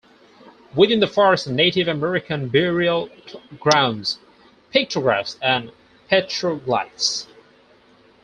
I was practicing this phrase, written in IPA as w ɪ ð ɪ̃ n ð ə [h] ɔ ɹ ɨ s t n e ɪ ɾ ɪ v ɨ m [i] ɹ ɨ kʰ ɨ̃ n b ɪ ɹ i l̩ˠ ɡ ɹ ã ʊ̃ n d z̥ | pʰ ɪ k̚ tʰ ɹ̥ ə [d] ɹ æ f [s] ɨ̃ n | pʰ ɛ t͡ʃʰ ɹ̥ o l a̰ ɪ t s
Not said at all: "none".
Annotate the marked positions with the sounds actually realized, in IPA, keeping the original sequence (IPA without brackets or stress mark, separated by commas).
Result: f, ɛ, ɡ, s